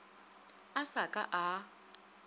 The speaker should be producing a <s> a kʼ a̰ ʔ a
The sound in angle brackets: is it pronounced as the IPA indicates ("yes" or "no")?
yes